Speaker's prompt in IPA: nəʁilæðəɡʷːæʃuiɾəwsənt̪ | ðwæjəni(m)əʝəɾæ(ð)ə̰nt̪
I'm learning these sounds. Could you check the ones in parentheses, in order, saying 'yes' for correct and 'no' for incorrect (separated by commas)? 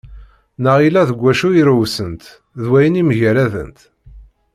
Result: yes, yes